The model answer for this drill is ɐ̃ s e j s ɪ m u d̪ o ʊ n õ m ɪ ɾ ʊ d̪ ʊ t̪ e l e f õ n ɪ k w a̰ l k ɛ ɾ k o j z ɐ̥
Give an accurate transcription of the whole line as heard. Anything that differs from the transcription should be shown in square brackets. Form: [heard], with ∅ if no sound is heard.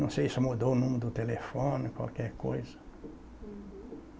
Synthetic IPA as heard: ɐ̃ s e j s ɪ m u d̪ o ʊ n [ũ] m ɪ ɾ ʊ d̪ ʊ t̪ e l e f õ n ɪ k w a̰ l k ɛ ɾ k o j z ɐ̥

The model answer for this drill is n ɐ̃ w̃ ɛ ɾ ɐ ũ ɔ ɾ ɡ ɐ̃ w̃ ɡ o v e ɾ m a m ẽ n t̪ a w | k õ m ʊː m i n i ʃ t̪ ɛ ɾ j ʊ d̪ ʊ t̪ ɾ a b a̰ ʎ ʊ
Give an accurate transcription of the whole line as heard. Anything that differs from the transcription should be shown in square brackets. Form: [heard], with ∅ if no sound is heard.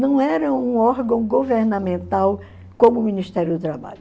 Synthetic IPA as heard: n ɐ̃ w̃ ɛ ɾ ɐ ũ ɔ ɾ ɡ ɐ̃ w̃ ɡ o v e ɾ [n] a m ẽ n t̪ a w | k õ m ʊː m i n i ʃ t̪ ɛ ɾ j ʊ d̪ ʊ t̪ ɾ a b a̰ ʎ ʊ

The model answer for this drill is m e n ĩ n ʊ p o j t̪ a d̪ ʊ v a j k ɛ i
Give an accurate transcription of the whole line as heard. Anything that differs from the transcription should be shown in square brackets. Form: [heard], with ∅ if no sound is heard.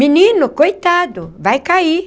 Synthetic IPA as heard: m [i] n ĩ n ʊ [k] o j t̪ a d̪ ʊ v a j k [a] i

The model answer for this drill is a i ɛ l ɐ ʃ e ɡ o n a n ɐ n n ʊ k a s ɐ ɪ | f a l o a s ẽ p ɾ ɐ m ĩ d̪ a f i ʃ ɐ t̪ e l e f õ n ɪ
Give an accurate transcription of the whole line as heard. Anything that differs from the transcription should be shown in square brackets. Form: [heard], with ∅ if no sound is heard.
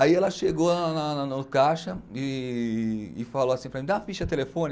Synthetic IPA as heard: a i ɛ l ɐ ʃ e ɡ o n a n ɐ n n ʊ k a [ʃ] ɐ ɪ | f a l o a s [ĩ] p ɾ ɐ m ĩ d̪ a f i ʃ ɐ t̪ e l e f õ n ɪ

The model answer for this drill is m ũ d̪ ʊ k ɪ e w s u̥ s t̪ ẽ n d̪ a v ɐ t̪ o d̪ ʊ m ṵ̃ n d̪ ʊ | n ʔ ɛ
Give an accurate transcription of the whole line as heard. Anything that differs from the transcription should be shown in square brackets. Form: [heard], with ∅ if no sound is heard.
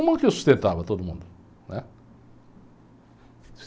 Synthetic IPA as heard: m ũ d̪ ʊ k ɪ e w s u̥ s t̪ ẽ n [t̪] a v ɐ t̪ o d̪ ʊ m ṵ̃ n d̪ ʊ | n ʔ ɛ

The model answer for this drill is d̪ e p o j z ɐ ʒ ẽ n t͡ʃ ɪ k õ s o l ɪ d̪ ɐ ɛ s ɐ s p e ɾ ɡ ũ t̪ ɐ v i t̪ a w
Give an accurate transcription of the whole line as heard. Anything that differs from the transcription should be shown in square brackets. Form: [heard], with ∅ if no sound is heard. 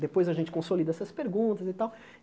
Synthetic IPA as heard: d̪ e p o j z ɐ ʒ ẽ n t͡ʃ ɪ k õ s o l [i] d̪ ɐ ɛ s ɐ s p e ɾ ɡ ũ t̪ ɐ [z] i t̪ a w

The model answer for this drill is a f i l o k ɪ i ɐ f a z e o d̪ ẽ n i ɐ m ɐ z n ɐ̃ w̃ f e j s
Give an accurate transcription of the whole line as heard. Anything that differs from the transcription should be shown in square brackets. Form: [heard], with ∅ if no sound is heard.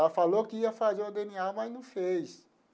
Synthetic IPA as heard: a f [a] l o k ɪ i ɐ f a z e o d̪ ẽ n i [a] m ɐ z n ɐ̃ w̃ f e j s

